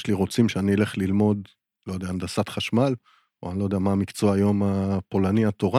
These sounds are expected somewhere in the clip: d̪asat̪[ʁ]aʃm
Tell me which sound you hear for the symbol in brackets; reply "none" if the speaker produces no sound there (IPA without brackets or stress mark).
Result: χ